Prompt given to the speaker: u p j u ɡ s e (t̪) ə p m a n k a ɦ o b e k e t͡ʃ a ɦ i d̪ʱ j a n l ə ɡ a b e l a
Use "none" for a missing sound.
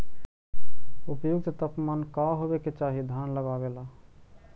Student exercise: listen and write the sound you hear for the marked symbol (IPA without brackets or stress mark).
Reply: t̪